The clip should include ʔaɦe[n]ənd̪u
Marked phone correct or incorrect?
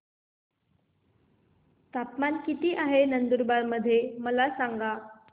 correct